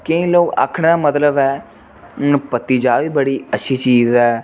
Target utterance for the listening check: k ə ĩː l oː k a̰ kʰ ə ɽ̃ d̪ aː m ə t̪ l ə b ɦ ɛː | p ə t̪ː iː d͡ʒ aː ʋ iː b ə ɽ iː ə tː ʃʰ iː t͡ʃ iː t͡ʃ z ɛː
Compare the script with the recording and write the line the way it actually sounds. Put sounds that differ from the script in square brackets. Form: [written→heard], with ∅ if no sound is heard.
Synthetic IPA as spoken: k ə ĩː l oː k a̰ kʰ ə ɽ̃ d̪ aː m ə t̪ l ə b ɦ ɛː | p ə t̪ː iː d͡ʒ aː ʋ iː b ə ɽ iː ə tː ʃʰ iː t͡ʃ iː [t͡ʃ→∅] z ɛː

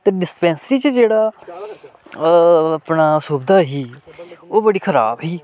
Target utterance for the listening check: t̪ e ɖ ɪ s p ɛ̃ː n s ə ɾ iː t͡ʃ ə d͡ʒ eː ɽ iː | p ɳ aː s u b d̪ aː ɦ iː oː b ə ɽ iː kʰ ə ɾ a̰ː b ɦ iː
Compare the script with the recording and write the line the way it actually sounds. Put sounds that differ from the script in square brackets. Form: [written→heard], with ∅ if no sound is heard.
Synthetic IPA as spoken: t̪ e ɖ ɪ s p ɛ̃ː n s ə ɾ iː t͡ʃ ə d͡ʒ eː ɽ [iː→aː] | p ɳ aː s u b d̪ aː ɦ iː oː b ə ɽ iː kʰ ə ɾ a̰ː b ɦ iː

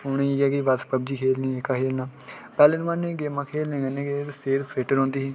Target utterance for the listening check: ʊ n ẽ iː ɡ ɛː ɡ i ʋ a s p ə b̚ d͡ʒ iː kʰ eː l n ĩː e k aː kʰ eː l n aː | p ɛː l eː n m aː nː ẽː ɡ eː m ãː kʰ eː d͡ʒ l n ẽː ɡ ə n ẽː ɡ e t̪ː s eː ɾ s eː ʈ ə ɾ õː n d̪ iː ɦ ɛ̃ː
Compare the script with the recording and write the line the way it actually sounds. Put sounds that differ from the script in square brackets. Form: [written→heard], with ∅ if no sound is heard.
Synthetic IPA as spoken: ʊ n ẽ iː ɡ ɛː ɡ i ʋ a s p ə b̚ d͡ʒ iː kʰ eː l n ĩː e k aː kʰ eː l n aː | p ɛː l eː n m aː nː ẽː ɡ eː m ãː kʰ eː [d͡ʒ→∅] l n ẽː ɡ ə n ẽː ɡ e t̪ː s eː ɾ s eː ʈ ə ɾ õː n d̪ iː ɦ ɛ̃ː

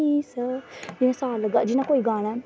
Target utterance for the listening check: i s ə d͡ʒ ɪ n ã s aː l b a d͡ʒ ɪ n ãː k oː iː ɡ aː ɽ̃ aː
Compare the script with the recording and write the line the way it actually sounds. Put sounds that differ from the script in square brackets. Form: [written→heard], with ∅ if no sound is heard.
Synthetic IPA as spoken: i s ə d͡ʒ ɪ n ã s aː l [b→ɡ] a d͡ʒ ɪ n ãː k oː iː ɡ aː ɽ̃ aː

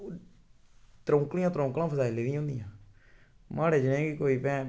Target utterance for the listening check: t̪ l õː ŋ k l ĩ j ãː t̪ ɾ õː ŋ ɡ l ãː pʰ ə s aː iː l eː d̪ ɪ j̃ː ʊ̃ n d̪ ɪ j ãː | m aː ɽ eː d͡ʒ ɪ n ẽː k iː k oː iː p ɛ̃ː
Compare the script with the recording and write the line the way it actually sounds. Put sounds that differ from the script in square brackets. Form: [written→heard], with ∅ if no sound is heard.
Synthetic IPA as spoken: t̪ [l→ɾ] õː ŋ k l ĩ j ãː t̪ ɾ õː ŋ [ɡ→k] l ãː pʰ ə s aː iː l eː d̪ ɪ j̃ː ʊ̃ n d̪ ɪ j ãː | m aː ɽ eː d͡ʒ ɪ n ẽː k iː k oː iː p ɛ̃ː

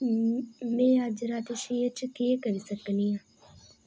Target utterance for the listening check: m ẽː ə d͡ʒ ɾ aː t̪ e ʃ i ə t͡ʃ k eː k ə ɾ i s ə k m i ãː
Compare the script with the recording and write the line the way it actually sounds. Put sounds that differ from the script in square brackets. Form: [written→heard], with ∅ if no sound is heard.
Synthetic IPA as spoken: m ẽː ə d͡ʒ ɾ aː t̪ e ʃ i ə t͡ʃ k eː k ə ɾ i s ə k [m→n] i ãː

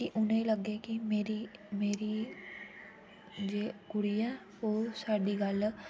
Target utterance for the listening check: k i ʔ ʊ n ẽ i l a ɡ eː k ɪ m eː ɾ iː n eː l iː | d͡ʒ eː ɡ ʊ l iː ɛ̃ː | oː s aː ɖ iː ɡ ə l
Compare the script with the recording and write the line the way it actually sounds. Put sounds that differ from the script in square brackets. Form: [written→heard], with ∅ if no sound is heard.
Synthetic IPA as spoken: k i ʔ ʊ n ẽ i l [a→ə] ɡ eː k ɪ m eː ɾ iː [n→m] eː [l→ɾ] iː | d͡ʒ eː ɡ ʊ [l→ɽ] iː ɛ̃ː | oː s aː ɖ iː ɡ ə l

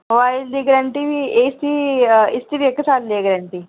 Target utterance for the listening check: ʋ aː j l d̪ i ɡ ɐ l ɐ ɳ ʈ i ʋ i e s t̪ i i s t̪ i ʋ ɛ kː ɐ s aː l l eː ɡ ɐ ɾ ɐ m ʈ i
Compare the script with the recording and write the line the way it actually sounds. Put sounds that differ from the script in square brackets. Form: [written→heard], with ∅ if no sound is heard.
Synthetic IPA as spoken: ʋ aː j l d̪ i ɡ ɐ [l→ɾ] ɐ ɳ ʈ i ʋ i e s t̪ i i s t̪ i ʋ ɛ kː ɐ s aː l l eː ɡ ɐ ɾ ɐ [m→ɳ] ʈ i

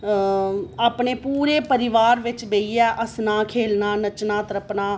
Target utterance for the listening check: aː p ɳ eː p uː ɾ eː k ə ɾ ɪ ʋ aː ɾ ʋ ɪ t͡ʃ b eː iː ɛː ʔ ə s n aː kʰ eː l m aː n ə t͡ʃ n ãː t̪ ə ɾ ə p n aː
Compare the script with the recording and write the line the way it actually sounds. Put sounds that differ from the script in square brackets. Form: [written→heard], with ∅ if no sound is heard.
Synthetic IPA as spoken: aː p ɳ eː p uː ɾ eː [k→p] ə ɾ ɪ ʋ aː ɾ ʋ ɪ t͡ʃ b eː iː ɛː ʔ ə s n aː kʰ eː l [m→n] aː n ə t͡ʃ n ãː t̪ ə ɾ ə p n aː

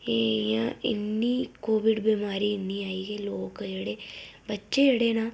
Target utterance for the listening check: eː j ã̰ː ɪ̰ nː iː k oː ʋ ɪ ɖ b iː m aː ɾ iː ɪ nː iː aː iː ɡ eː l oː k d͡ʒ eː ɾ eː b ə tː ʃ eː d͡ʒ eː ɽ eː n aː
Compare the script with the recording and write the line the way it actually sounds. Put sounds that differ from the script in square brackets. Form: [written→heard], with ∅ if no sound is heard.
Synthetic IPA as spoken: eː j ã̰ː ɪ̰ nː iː k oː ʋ ɪ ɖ b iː m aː ɾ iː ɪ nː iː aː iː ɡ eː l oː k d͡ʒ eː [ɾ→ɽ] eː b ə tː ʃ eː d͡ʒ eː ɽ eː n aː

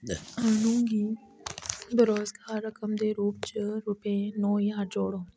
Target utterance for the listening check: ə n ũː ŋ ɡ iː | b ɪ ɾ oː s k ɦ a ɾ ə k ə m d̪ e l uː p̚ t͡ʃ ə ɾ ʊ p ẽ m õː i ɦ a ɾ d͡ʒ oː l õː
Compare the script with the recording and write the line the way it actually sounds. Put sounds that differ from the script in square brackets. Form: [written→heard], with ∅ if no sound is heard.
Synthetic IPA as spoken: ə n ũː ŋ ɡ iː | b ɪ ɾ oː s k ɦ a ɾ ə k ə m d̪ e [l→ɾ] uː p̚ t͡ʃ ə ɾ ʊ p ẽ [m→n] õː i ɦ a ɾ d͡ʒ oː [l→ɽ] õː

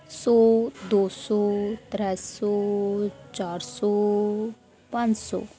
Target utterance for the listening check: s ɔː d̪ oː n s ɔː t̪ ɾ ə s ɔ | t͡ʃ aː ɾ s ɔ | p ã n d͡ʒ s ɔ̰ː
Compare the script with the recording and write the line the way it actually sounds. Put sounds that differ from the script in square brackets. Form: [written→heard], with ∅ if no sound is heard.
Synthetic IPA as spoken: s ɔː d̪ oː [n→∅] s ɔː t̪ ɾ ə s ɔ | t͡ʃ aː ɾ s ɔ | p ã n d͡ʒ s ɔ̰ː

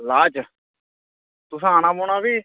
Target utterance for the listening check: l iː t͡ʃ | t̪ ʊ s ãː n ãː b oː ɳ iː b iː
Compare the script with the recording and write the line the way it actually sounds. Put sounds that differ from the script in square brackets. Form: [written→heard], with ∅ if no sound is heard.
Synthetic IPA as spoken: l [iː→aː] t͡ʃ | t̪ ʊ s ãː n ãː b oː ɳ [iː→aː] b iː

